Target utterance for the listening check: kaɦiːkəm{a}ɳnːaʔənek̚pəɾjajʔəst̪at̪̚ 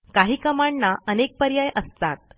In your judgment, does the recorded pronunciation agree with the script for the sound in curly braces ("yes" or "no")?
yes